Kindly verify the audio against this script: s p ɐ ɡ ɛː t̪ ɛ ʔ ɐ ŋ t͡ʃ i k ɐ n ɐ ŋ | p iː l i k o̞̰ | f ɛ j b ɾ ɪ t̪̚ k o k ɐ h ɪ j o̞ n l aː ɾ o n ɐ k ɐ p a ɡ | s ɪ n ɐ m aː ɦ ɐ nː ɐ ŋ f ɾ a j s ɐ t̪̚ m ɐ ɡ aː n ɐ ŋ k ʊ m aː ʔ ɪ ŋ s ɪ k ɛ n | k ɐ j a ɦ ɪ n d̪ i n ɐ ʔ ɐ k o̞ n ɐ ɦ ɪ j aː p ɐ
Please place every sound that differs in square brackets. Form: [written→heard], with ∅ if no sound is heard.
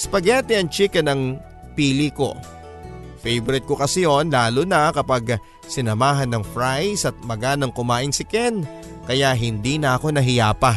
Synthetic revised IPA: s p ɐ ɡ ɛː t̪ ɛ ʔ ɐ ŋ t͡ʃ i k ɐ n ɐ ŋ | p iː l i k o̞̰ | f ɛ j b ɾ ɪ t̪̚ k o k ɐ [h→s] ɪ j o̞ n l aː [ɾ→l] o n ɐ k ɐ p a ɡ | s ɪ n ɐ m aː ɦ ɐ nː ɐ ŋ f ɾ a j s ɐ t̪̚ m ɐ ɡ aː n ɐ ŋ k ʊ m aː ʔ ɪ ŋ s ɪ k ɛ n | k ɐ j a ɦ ɪ n d̪ i n ɐ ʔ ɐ k o̞ n ɐ ɦ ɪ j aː p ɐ